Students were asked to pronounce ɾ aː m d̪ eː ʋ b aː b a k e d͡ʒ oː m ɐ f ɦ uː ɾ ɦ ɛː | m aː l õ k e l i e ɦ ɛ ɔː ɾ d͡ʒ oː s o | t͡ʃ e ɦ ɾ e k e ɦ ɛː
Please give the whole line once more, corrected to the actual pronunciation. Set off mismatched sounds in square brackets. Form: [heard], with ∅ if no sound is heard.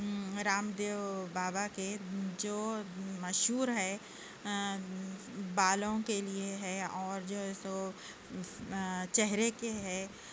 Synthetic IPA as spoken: ɾ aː m d̪ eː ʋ b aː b a k e d͡ʒ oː m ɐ [ʃ] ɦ uː ɾ ɦ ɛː | [b] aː l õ k e l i e ɦ ɛ ɔː ɾ d͡ʒ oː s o | t͡ʃ [ɛ] ɦ ɾ e k e ɦ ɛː